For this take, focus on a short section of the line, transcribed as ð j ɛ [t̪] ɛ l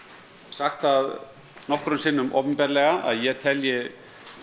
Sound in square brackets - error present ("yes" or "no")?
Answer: yes